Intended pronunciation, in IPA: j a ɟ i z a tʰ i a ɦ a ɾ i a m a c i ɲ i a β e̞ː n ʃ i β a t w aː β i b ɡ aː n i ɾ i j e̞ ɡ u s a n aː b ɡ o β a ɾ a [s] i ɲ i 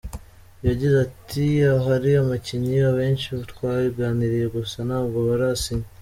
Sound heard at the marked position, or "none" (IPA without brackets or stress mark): s